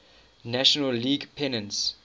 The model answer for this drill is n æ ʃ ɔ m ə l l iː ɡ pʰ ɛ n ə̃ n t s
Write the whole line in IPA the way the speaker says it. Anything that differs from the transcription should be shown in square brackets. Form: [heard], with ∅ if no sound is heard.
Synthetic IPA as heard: n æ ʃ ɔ [n] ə l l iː ɡ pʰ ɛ n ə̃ n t s